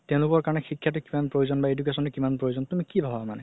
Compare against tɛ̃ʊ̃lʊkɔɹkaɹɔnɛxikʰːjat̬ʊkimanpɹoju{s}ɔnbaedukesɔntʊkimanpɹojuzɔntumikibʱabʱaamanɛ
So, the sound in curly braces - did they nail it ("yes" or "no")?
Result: no